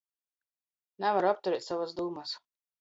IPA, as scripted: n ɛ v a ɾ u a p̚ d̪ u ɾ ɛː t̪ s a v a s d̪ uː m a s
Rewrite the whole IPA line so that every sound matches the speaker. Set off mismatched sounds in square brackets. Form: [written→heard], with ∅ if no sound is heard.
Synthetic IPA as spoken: n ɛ v a ɾ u a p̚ [d̪→t̪] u ɾ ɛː t̪ s a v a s d̪ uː m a s